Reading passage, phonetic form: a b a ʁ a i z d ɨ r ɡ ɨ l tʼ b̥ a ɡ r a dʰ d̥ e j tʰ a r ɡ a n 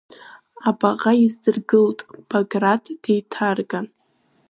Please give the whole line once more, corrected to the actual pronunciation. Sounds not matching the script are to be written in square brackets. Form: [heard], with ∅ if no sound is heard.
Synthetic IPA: a b a ʁ a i z d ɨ r ɡ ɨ l tʼ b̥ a ɡ r a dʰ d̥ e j tʰ a r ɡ a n